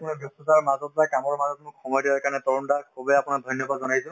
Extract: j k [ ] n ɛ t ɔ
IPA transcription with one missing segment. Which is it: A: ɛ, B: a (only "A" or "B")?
B